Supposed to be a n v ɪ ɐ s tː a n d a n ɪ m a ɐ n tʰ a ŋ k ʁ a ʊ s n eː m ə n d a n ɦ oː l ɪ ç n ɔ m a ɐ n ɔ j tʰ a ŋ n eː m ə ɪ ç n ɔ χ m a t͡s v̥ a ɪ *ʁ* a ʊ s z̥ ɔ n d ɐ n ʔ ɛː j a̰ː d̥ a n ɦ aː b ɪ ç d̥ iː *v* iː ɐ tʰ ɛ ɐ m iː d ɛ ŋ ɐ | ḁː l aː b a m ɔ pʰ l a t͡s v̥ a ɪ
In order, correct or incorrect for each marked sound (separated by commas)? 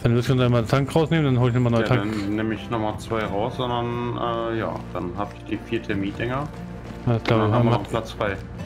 correct, incorrect